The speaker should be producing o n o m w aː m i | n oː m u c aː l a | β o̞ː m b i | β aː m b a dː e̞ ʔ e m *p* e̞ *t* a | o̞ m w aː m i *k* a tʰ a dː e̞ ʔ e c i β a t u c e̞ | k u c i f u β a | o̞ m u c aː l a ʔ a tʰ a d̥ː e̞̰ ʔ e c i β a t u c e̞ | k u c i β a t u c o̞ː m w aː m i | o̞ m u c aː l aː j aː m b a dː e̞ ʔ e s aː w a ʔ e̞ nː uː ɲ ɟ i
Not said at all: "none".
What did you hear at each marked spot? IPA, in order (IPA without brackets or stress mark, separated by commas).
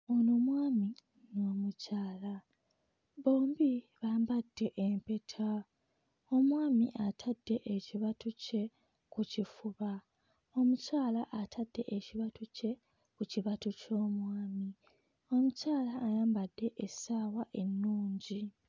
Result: p, tʰ, ʔ